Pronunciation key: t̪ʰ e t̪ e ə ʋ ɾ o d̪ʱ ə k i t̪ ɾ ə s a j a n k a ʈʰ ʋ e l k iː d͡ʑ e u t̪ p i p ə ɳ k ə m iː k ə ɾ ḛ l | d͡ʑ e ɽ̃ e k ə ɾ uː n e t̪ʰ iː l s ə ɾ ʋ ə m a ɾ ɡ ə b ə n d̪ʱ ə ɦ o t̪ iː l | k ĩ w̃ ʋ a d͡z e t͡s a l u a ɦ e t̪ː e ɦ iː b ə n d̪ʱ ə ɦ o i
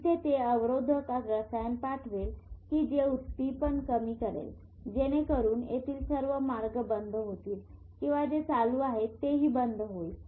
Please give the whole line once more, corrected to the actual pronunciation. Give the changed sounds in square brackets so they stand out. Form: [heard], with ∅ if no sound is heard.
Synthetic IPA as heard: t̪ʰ e t̪ e ə ʋ ɾ o d̪ʱ ə k [a] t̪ ɾ ə s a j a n [p] a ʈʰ ʋ e l k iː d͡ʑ e u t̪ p i p ə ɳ k ə m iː k ə ɾ ḛ l | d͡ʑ e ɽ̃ e k ə ɾ uː n e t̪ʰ iː l s ə ɾ ʋ ə m a ɾ ɡ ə b ə n d̪ʱ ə ɦ o t̪ iː l | k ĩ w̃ ʋ a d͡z e t͡s a l u a ɦ e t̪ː e ɦ iː b ə n d̪ʱ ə ɦ o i